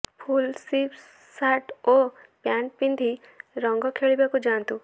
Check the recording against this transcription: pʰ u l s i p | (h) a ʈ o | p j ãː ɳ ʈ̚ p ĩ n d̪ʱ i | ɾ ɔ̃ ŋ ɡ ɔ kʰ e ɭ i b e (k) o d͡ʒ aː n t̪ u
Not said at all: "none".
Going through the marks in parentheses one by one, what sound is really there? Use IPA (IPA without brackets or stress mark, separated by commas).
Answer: s, k